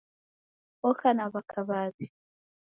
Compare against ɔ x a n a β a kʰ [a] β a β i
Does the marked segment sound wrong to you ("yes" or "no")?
no